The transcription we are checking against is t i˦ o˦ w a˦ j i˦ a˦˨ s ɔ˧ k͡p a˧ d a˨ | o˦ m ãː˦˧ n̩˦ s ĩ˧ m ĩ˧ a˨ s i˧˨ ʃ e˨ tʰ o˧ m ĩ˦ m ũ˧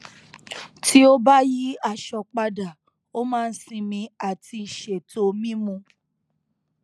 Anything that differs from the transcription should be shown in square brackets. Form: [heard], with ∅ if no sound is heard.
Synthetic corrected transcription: t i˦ o˦ [b] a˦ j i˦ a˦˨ [ʃ] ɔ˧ k͡p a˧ d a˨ | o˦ m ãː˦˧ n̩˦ s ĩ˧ m ĩ˧ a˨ [t] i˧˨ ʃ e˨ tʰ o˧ m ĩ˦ m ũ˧